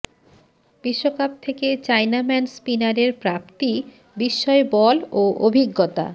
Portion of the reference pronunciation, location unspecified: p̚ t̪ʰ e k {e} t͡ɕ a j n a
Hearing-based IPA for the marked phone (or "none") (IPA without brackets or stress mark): e